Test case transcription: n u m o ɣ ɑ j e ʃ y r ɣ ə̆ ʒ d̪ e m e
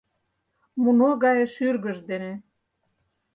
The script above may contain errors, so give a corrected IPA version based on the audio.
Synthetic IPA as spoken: m u n o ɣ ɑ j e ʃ y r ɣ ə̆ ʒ d̪ e n e